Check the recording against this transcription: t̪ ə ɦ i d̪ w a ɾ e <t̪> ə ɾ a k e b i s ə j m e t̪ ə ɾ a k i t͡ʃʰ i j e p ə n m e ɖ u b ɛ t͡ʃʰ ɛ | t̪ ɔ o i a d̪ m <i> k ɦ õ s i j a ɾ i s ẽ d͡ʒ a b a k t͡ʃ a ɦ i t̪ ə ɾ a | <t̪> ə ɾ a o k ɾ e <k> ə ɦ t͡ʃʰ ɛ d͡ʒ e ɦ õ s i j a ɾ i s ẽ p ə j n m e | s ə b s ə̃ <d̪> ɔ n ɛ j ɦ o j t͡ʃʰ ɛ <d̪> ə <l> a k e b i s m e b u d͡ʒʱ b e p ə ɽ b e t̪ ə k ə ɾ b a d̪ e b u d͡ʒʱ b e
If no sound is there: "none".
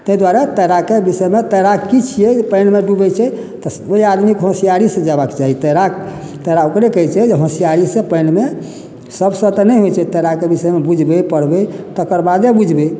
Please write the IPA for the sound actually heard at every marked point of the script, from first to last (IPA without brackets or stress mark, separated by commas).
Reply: t̪, i, t̪, k, t̪, t̪, ɾ